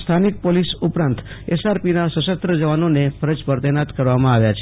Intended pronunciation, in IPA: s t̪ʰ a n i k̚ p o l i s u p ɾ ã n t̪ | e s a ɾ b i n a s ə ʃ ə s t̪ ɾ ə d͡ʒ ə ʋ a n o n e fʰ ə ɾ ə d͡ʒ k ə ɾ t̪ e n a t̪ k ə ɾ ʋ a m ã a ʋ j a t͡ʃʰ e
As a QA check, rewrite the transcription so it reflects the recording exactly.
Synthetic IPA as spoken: s t̪ʰ a n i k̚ p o l i s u p ɾ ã n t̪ | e s a ɾ p i n a s ə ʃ ə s t̪ ɾ ə d͡ʒ ə ʋ a n o n e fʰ ə ɾ ə d͡ʒ p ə ɾ t̪ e n a t̪ k ə ɾ ʋ a m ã a ʋ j a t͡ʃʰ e

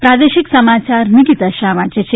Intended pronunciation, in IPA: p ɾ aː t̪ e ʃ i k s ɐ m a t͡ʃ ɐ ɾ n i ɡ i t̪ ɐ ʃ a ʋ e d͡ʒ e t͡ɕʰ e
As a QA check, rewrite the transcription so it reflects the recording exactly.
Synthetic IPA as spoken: p ɾ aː d̪ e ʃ i k s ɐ m a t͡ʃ a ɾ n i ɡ i t̪ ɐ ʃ a ʋ a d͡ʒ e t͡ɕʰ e

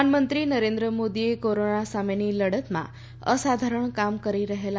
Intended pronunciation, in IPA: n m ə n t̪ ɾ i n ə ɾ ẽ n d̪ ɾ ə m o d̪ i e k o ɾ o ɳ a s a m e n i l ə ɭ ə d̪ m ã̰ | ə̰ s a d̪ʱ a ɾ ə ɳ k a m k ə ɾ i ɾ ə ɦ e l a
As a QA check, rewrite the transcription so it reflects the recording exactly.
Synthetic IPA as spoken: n m ə n t̪ ɾ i n ə ɾ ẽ n d̪ ɾ ə m o d̪ i e k o ɾ o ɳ a s a m e n i l ə ɽ ə t̪ m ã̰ | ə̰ s a d̪ʱ a ɾ ə ɳ k a m k ə ɾ i ɾ ə ɦ e l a

